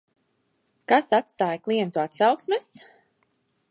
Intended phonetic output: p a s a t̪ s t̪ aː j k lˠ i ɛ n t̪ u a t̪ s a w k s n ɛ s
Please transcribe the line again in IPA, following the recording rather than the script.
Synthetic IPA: k a s a t̪ s t̪ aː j k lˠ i ɛ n t̪ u a t̪ s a w k s m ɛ s

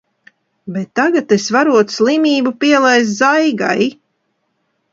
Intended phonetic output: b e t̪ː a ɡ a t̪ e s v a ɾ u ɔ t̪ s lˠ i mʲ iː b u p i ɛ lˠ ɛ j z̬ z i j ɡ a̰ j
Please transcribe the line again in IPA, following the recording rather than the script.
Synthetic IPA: b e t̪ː a ɡ a t̪ e s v a ɾ u ɔ t̪ s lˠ i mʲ iː b u p i ɛ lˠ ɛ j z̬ z a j ɡ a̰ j

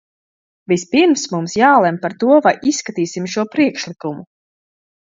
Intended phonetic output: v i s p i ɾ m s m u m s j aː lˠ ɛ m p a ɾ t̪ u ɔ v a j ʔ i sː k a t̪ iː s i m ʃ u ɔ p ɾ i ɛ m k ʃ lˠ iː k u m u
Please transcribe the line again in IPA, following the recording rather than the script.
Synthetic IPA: v i s p i ɾ m s m u m s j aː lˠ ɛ m p a ɾ t̪ u ɔ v a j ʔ i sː k a t̪ iː s i m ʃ u ɔ p ɾ i ɛ k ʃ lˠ i k u m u

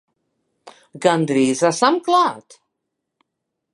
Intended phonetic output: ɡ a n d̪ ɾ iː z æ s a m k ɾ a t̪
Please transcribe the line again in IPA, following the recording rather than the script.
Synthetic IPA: ɡ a n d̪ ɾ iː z a s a m k l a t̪

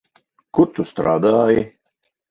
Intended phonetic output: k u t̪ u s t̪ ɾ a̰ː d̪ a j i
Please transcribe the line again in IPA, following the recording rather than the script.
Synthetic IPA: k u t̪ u s t̪ ɾ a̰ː d̪ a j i

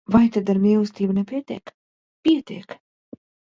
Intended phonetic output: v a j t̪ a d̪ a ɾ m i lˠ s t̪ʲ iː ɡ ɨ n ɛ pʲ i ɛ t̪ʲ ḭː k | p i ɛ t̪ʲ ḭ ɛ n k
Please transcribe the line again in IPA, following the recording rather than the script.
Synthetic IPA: v a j t̪ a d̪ a ɾ m i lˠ s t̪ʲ iː b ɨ n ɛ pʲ i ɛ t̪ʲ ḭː k | p i ɛ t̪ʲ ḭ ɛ k

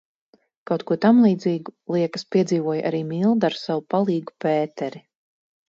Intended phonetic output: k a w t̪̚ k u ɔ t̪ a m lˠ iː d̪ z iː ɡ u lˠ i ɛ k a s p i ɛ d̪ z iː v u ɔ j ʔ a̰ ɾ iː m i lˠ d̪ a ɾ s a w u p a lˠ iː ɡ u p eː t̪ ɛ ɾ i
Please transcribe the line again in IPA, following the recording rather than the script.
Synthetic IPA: k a w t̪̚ k u ɔ t̪ a m lˠ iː d̪ z iː ɡ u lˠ i ɛ k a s p i ɛ d̪ z iː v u ɔ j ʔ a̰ ɾ iː m i lˠ d̪ a ɾ s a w u p a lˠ iː ɡ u p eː t̪ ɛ ɾ i

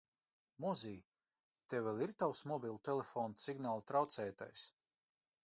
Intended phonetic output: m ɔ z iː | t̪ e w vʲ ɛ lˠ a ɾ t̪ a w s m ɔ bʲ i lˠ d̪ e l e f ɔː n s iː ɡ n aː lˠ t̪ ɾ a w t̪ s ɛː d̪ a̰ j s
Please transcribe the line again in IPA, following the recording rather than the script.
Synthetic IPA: m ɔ z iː | t̪ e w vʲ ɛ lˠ i ɾ t̪ a w s m ɔ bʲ i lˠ t̪ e l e f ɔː n s i ɡ n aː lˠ t̪ ɾ a w t̪ s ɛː t̪ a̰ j s

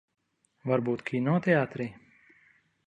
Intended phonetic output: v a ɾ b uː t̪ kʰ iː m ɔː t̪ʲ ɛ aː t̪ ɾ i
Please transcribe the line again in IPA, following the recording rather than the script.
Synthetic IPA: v a ɾ b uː t̪ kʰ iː n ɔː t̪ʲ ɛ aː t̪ ɾ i

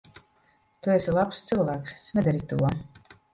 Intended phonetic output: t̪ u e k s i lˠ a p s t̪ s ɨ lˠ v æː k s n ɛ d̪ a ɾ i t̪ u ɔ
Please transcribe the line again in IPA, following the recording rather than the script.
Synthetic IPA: t̪ u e s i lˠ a p s t̪ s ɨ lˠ v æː k s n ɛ d̪ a ɾ i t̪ u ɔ

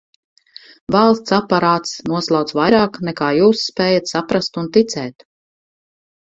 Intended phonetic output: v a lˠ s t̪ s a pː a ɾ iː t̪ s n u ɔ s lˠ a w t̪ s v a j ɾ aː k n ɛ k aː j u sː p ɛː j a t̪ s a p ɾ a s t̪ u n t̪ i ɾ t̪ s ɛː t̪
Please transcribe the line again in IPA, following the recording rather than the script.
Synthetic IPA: v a lˠ s t̪ s a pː a ɾ aː t̪ s n u ɔ s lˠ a w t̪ s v a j ɾ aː k n ɛ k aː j uː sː p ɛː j a t̪ s a p ɾ a s t̪ u n t̪ i t̪ s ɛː t̪

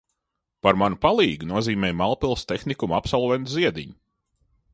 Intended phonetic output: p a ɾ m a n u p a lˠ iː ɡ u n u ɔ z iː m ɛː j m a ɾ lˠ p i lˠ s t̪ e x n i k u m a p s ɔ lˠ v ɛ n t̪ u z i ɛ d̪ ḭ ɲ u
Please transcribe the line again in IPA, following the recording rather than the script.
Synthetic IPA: p a ɾ m a n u p a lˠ iː ɡ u n u ɔ z iː m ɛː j m a lˠ p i lˠ s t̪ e x n i k u m a p s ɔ lˠ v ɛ n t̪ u z i ɛ d̪ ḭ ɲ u

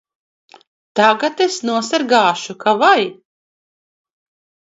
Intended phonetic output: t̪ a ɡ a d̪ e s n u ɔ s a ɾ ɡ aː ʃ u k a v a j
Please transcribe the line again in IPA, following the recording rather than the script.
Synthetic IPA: t̪ a ɡ a t̪ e s n u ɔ s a ɾ ɡ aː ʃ u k a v a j

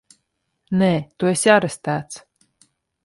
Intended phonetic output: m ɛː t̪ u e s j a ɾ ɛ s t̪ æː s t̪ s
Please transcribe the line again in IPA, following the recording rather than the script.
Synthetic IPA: n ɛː t̪ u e s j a ɾ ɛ s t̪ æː t̪ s

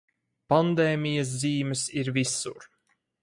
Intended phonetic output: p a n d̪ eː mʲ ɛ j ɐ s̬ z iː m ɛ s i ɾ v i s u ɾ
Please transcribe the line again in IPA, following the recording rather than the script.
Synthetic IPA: p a n d̪ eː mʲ i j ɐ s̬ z iː m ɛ s i ɾ v i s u ɾ

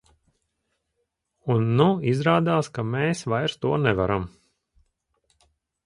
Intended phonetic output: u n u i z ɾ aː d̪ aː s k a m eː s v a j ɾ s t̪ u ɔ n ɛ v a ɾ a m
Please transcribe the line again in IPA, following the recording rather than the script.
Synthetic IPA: u nː u i z ɾ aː d̪ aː s k a m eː s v a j ɾ s t̪ u ɔ n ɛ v a ɾ a m

